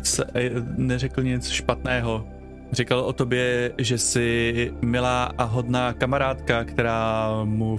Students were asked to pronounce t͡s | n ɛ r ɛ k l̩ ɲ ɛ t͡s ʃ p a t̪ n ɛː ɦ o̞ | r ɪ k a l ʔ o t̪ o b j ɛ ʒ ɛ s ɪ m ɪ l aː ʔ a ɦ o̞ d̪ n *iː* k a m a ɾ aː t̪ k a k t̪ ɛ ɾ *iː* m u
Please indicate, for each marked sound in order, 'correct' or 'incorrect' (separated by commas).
incorrect, incorrect